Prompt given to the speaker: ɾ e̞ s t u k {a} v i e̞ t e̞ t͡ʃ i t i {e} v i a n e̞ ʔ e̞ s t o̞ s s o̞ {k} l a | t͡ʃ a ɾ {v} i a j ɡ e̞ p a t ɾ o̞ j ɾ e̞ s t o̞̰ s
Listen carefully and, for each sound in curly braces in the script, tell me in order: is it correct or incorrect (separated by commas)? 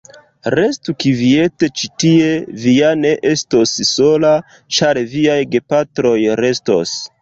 incorrect, correct, incorrect, correct